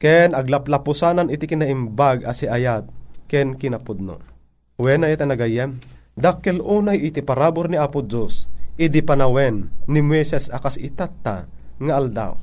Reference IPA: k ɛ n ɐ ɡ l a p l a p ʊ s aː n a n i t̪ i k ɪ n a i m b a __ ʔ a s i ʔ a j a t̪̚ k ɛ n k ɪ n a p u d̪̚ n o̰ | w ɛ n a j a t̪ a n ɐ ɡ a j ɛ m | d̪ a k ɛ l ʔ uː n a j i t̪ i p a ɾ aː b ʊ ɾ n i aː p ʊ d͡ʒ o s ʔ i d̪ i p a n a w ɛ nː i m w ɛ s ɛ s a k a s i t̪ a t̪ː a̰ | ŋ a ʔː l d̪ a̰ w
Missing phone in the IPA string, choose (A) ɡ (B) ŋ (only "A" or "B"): A